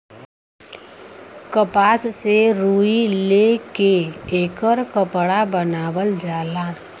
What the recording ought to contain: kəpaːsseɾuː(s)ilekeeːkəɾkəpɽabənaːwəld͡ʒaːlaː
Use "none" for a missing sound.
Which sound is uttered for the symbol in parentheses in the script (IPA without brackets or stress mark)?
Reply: none